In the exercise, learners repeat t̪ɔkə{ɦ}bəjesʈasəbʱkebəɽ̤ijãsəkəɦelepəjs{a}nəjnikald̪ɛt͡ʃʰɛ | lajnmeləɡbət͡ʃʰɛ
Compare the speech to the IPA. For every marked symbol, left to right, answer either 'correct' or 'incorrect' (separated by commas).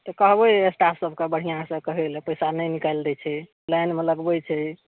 correct, correct